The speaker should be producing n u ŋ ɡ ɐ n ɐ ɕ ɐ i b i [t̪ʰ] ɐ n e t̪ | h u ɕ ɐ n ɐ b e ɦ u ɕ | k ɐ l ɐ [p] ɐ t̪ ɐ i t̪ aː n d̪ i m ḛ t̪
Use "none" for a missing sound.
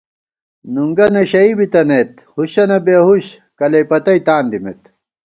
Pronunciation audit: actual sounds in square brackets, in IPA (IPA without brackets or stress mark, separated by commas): t̪, p